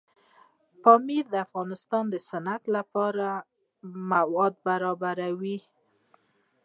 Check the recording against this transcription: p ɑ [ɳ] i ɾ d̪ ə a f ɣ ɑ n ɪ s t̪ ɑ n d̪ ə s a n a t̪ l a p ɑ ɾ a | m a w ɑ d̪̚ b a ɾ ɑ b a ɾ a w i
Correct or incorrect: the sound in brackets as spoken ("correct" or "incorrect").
incorrect